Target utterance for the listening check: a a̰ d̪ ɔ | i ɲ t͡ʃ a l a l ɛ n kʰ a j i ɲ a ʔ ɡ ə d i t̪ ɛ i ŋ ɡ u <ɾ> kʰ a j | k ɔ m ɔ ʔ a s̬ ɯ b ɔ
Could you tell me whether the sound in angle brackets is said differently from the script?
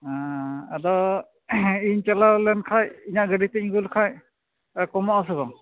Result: yes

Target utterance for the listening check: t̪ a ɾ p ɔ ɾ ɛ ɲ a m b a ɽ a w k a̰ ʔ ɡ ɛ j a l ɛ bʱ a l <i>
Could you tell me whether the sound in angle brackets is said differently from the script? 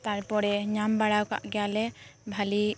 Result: no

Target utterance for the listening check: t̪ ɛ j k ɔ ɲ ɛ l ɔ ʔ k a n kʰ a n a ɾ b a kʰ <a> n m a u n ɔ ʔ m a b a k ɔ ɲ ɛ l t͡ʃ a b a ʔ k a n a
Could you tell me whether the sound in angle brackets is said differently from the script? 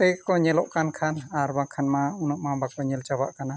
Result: no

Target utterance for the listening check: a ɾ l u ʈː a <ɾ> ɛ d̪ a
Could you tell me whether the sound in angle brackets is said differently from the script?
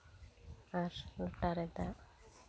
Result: no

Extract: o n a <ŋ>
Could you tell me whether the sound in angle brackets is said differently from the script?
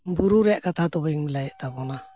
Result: yes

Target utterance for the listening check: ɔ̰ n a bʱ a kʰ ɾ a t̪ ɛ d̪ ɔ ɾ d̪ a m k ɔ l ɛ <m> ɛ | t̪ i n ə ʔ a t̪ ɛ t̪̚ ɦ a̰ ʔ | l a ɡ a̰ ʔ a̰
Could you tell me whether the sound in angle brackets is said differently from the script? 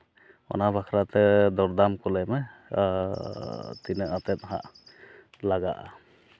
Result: no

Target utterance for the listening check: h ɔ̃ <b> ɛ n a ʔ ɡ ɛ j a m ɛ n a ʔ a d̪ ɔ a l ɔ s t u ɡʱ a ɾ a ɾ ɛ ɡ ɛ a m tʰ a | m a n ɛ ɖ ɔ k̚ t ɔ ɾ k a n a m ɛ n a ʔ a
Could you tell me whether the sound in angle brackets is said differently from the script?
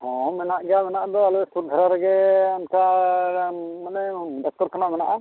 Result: yes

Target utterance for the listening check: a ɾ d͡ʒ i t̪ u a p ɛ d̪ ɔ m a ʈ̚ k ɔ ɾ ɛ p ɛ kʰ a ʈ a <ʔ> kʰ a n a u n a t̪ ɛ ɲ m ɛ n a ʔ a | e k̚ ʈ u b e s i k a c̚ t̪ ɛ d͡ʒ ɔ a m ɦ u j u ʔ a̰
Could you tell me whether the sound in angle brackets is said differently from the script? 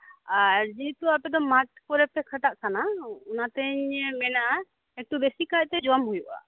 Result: no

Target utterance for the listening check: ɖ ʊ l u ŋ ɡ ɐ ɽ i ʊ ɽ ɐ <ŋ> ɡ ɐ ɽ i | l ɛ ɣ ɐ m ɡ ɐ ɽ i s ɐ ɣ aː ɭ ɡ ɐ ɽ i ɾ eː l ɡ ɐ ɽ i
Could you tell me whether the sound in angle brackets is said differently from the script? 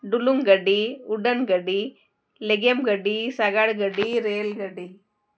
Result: yes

